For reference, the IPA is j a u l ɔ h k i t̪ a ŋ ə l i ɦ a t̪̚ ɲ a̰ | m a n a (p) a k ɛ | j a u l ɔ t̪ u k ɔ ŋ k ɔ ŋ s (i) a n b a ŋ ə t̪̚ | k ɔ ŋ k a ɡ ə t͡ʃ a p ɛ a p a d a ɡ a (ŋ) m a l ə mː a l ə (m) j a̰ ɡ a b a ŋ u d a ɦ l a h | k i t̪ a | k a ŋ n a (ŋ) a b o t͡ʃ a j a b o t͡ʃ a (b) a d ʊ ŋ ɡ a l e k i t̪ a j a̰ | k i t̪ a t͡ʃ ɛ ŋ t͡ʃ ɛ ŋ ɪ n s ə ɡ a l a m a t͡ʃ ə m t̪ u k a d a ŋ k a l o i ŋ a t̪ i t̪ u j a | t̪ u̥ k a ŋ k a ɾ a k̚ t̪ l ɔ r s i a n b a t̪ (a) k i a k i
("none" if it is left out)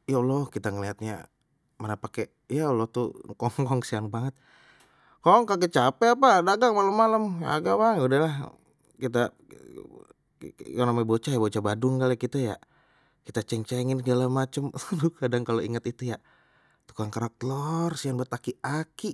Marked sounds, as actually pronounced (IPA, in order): p, i, ŋ, m, m, b, a

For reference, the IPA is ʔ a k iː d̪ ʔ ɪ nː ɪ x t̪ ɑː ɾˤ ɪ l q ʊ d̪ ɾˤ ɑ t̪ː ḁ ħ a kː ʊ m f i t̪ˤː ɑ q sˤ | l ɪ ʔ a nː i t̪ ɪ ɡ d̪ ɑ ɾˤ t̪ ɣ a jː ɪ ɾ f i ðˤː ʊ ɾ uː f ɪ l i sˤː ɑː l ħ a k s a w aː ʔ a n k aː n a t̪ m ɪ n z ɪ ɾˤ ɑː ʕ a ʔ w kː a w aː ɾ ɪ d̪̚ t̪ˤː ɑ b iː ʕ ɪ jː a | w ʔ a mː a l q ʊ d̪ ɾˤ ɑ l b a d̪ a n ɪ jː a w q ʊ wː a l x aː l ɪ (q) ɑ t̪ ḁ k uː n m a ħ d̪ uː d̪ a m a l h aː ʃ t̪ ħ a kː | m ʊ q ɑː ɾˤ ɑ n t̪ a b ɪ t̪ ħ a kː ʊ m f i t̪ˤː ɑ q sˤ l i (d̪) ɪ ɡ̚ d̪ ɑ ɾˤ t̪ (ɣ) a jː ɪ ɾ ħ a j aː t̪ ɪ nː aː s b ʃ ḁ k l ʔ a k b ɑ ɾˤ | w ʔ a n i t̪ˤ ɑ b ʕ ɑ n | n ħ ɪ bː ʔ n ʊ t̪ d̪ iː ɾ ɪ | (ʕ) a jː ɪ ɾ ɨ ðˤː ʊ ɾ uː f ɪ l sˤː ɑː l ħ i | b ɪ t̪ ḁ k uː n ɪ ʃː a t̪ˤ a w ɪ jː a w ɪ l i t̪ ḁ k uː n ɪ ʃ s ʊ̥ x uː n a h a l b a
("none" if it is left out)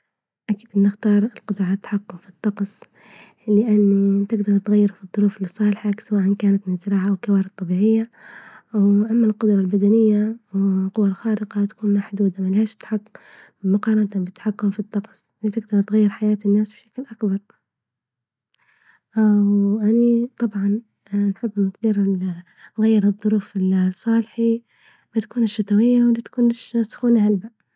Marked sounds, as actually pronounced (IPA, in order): q, t̪, ɣ, ɣ

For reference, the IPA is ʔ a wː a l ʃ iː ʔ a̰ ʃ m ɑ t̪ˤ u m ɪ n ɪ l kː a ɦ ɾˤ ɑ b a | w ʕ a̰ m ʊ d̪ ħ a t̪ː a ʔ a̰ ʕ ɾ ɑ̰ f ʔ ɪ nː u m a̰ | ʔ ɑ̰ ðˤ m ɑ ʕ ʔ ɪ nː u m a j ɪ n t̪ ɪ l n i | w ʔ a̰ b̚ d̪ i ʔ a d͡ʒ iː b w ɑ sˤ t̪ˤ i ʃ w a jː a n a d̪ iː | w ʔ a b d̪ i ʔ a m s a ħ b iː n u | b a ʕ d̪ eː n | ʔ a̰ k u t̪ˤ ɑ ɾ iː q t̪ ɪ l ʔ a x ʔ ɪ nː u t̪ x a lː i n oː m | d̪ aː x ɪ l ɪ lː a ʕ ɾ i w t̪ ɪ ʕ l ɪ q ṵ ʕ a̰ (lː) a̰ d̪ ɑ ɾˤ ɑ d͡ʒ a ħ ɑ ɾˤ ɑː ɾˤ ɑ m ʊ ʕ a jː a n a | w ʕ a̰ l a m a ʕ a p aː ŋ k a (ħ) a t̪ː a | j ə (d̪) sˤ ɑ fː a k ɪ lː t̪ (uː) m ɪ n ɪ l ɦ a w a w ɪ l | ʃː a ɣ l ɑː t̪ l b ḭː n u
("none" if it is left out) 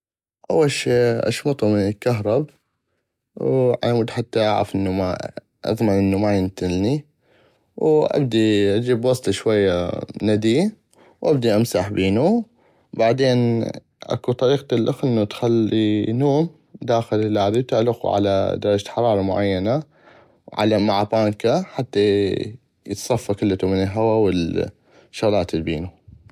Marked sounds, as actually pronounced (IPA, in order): l, ħ, t̪, u

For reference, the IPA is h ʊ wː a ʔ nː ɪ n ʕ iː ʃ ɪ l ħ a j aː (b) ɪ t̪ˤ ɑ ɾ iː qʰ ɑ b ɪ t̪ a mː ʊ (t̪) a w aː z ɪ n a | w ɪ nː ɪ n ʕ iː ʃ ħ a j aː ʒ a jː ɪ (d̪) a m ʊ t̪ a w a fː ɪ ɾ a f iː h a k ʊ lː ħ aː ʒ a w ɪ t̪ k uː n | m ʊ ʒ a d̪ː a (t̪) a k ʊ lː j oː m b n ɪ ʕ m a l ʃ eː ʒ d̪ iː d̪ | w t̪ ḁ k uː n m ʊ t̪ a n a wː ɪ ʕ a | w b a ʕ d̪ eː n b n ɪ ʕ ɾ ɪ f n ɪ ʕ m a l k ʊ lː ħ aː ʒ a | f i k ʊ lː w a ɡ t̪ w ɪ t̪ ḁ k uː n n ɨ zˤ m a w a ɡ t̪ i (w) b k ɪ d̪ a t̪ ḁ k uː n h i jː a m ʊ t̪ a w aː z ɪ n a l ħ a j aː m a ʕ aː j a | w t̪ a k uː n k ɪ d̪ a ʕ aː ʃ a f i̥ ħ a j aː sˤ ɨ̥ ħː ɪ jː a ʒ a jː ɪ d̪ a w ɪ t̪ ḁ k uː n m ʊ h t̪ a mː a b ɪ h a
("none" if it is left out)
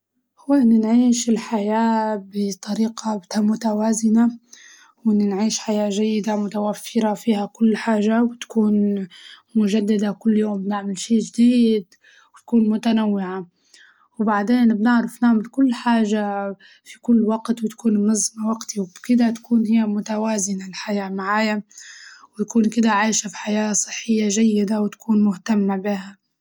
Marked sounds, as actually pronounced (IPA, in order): b, t̪, d̪, d̪, w

